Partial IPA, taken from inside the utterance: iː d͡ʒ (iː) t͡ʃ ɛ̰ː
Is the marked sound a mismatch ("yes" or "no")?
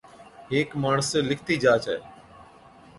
yes